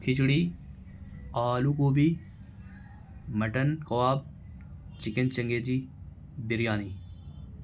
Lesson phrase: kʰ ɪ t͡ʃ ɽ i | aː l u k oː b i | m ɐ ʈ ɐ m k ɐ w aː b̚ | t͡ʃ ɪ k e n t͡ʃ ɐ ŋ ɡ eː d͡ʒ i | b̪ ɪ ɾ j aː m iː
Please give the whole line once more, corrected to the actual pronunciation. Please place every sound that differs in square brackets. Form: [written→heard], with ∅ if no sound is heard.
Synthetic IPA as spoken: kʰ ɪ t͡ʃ ɽ i | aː l u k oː b i | m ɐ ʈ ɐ [m→n] k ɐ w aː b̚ | t͡ʃ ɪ k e n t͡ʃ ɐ ŋ ɡ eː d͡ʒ i | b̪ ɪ ɾ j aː [m→n] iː